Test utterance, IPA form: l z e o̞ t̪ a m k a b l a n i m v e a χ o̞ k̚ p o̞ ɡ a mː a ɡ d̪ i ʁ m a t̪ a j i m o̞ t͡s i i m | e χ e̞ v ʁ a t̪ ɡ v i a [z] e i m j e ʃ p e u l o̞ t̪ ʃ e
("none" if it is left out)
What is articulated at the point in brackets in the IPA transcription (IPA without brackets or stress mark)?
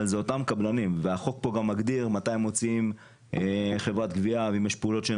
v